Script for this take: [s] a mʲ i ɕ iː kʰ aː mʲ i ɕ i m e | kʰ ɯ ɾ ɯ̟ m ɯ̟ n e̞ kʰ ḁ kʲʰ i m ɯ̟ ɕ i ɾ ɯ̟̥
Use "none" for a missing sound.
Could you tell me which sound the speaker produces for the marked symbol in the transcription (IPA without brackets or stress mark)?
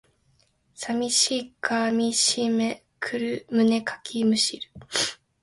s